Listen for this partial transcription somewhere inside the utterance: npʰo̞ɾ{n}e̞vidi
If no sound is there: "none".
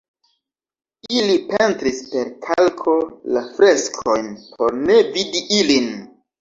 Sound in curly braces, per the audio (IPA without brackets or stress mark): n